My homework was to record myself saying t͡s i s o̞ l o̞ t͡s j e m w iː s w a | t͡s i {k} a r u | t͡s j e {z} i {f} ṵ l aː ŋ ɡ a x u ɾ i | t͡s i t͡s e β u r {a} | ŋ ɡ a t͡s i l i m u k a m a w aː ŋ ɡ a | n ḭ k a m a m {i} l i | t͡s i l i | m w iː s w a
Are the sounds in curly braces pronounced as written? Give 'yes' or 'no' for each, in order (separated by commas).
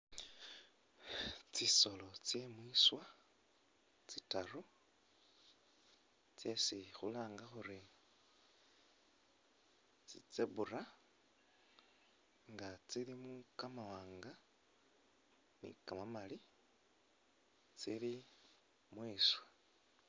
no, no, no, yes, no